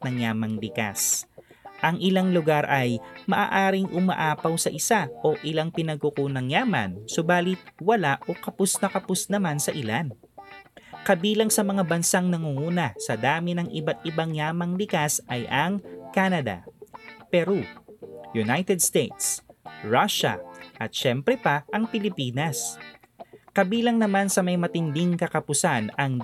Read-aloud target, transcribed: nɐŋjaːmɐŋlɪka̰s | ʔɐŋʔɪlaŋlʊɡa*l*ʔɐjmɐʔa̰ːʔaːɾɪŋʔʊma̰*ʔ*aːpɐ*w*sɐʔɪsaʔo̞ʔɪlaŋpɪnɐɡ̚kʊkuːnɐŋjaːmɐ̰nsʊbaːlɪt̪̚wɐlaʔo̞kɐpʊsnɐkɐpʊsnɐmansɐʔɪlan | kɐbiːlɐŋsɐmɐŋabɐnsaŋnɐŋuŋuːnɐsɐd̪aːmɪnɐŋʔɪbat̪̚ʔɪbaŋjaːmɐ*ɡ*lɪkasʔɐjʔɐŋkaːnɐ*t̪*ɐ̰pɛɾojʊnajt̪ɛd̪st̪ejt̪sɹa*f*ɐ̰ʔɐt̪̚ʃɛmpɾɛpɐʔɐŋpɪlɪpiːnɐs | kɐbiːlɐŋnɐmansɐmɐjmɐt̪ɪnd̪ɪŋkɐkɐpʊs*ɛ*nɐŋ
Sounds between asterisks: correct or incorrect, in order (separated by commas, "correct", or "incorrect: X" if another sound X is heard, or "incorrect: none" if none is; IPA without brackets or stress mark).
incorrect: ɾ, correct, correct, incorrect: ŋ, incorrect: d̪, incorrect: ʃ, incorrect: a